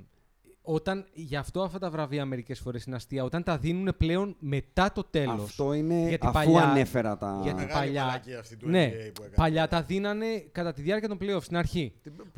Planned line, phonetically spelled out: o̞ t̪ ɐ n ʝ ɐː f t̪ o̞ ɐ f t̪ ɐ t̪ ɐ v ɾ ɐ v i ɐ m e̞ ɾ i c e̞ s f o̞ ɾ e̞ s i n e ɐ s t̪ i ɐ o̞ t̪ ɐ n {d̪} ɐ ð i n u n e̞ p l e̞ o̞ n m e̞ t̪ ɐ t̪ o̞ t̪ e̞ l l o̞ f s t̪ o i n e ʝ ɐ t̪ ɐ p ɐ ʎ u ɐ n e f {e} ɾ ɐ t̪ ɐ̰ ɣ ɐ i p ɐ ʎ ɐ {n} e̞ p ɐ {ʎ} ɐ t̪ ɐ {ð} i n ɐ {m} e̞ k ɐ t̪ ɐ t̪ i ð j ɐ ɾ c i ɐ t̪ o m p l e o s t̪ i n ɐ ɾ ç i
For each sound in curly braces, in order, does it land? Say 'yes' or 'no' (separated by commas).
no, yes, yes, yes, yes, no